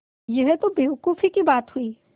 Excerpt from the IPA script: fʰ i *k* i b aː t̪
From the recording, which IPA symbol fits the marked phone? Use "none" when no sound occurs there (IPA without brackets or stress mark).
k